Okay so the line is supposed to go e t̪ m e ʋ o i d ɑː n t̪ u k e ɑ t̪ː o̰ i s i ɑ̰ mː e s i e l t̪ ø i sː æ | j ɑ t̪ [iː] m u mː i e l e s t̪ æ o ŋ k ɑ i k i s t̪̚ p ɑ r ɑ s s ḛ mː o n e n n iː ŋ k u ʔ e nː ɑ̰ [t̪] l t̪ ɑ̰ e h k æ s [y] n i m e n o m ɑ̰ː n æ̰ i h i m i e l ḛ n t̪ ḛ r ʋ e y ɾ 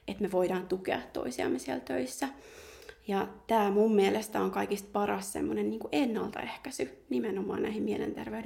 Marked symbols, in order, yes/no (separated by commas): no, no, yes